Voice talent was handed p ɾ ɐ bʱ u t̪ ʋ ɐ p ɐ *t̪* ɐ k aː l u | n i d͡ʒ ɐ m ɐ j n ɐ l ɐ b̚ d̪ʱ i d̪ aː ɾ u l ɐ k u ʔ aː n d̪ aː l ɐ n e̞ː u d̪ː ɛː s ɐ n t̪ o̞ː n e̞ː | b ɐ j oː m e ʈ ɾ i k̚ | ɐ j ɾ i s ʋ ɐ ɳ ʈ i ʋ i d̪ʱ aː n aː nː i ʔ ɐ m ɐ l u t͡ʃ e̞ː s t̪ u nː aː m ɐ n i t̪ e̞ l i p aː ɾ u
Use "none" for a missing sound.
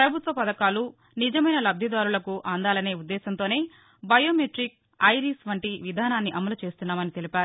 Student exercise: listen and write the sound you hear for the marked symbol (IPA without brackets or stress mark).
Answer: d̪